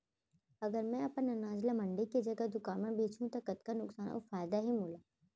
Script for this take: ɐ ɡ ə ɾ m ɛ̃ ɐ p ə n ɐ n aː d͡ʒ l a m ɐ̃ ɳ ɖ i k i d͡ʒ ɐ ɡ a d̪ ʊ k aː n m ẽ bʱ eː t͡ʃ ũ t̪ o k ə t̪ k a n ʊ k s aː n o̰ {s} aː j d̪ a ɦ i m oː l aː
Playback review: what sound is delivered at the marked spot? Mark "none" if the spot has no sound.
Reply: f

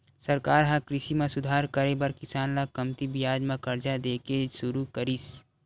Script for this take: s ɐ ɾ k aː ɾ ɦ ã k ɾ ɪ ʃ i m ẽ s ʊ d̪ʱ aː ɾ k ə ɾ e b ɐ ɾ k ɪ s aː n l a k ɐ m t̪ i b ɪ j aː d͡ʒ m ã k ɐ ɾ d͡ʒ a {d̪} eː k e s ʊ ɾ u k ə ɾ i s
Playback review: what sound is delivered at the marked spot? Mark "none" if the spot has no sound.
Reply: d̪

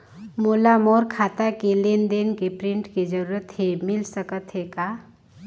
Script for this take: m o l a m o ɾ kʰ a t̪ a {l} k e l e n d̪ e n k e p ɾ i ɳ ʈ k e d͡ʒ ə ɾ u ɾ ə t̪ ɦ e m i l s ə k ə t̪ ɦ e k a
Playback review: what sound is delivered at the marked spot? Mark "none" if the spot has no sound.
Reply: none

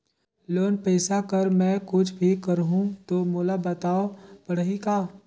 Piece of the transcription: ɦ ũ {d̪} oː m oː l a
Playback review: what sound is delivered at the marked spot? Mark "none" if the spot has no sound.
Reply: t̪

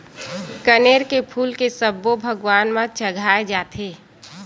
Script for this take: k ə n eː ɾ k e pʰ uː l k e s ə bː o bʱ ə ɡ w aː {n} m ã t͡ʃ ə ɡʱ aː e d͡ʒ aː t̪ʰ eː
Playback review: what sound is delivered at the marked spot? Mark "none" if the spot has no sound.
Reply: n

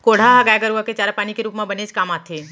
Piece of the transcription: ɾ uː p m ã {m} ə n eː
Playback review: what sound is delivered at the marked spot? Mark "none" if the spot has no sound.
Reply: b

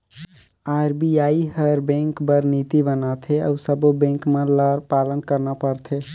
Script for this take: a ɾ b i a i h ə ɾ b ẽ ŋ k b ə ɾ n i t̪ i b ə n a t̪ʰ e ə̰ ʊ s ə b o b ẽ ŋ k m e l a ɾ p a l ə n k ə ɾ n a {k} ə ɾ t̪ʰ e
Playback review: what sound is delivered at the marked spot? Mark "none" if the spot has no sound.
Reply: p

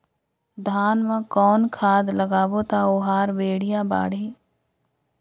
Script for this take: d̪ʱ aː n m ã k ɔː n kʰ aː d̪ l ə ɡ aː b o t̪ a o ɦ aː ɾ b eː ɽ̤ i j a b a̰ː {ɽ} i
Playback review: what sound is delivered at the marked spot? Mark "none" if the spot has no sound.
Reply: ɽ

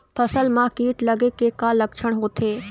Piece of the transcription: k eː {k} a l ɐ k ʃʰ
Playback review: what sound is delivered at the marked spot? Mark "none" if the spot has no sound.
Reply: k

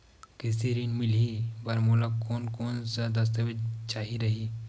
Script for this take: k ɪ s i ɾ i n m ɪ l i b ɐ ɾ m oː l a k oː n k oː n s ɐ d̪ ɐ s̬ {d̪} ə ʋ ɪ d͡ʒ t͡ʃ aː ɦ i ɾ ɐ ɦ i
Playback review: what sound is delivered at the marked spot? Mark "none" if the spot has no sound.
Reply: t̪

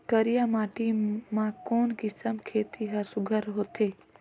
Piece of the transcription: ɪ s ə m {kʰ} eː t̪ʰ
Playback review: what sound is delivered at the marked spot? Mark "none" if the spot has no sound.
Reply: kʰ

